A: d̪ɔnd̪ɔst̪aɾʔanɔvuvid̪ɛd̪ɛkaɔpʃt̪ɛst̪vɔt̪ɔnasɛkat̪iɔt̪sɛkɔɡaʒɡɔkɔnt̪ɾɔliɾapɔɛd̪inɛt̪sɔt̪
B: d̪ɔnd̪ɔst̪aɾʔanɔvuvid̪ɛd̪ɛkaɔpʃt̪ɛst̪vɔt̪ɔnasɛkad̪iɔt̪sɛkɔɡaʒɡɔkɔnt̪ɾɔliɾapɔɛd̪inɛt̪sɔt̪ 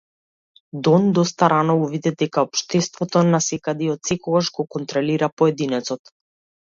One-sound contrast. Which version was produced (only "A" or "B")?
B